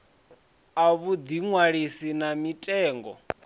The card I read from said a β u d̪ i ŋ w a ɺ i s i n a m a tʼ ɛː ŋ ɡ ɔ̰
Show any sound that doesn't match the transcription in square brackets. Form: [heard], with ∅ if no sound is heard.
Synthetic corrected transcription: a β u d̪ i ŋ w a ɺ i s i n a m [i] tʼ ɛː ŋ ɡ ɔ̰